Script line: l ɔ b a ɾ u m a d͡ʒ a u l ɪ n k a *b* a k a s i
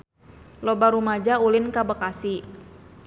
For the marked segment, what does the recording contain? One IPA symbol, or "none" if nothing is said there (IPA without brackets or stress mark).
b